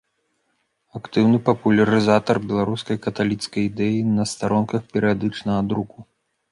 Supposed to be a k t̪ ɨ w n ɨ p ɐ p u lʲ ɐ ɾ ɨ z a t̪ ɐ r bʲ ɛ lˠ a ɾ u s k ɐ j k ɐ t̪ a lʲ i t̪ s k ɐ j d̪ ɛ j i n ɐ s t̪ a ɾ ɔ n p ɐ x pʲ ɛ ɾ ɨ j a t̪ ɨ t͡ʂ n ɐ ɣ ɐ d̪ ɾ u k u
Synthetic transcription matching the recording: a k t̪ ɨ w n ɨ p ɐ p u lʲ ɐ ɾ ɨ z a t̪ ɐ r bʲ ɛ lˠ a ɾ u s k ɐ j k ɐ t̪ a lʲ i t̪ s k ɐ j d̪ ɛ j i n ɐ s t̪ a ɾ ɔ n k ɐ x pʲ ɛ ɾ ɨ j a d̪ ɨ t͡ʂ n ɐ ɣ ɐ d̪ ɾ u k u